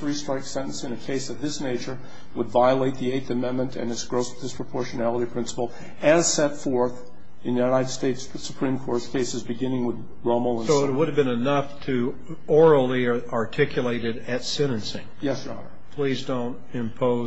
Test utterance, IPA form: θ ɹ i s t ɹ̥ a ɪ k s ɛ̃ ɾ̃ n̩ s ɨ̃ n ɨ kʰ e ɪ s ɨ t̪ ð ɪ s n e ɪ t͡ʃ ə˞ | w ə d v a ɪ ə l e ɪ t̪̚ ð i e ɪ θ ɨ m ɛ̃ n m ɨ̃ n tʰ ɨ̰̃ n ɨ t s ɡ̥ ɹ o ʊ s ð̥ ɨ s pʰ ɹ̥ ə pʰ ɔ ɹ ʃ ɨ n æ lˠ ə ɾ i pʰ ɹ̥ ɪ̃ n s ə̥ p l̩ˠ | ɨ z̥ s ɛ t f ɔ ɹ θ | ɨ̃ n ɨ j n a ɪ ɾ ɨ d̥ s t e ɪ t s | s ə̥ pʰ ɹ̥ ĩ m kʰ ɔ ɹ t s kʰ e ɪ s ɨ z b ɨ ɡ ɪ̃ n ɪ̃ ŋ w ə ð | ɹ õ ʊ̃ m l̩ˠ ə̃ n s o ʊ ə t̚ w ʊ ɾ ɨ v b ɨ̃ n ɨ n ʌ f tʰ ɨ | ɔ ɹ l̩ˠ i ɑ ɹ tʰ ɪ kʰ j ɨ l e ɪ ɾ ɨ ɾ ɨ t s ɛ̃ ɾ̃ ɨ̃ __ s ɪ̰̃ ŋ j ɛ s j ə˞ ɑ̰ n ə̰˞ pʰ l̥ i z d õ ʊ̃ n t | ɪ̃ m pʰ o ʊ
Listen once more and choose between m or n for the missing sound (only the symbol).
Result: n